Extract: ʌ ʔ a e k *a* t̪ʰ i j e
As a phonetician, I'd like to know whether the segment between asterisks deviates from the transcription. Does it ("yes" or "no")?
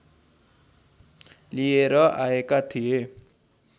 no